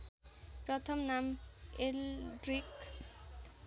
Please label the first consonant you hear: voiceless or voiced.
voiceless